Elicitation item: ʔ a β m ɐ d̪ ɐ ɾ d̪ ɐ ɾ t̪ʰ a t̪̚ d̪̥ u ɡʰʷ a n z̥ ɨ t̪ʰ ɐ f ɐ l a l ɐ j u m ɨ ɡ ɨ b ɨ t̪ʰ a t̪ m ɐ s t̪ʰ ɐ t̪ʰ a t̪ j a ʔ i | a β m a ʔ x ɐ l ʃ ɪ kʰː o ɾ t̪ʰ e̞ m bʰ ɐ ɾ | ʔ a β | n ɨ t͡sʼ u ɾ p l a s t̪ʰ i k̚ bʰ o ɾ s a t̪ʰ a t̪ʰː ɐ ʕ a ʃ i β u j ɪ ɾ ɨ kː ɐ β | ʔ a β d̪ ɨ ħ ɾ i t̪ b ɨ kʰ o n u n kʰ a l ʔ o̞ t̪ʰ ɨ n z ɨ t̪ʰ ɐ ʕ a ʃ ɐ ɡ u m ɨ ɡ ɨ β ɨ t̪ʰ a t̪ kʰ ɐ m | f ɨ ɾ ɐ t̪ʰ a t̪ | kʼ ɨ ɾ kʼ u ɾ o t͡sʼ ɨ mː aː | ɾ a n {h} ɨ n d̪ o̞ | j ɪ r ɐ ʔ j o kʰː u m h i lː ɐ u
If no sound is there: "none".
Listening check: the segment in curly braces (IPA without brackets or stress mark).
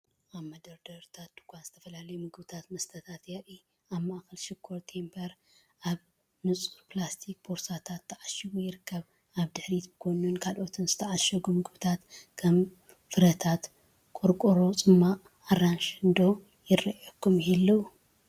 ʃ